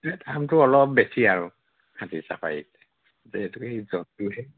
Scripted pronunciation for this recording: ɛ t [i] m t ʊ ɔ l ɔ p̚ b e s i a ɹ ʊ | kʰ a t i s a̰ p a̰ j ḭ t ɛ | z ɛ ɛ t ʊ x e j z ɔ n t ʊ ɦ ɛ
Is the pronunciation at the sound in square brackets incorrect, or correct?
incorrect